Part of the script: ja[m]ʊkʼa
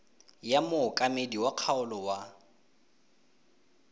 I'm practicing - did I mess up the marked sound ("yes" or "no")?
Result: no